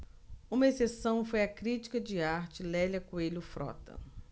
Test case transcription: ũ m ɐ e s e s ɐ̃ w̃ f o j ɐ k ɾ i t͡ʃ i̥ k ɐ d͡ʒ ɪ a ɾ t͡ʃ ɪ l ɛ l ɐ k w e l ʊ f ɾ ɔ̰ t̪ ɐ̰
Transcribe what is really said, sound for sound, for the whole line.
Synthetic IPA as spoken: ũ m ɐ e s e s ɐ̃ w̃ f o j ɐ k ɾ i t͡ʃ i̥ k ɐ d͡ʒ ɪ a ɾ t͡ʃ ɪ l ɛ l ɐ k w e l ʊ f ɾ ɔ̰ t̪ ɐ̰